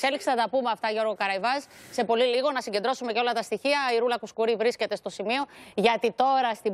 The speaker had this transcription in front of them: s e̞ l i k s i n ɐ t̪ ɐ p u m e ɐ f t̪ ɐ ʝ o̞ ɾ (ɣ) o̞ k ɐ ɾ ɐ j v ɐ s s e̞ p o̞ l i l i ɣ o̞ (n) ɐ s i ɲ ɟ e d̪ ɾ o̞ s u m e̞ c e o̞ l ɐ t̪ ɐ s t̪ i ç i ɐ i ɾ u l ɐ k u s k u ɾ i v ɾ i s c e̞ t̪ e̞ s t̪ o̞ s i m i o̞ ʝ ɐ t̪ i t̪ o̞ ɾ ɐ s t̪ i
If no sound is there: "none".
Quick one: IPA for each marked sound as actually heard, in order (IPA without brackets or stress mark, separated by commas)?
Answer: ɣ, n